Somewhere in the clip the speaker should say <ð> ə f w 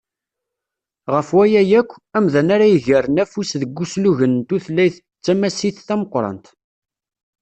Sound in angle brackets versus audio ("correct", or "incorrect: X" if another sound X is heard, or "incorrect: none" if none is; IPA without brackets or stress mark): incorrect: ʁ